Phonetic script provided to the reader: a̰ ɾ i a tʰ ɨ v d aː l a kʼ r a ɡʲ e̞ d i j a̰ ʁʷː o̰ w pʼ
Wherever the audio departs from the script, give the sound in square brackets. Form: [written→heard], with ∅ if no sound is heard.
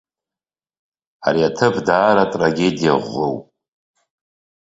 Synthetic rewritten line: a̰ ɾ i a tʰ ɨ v d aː [l→ɾ] a [kʼ→tʼ] r a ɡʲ e̞ d i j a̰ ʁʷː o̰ w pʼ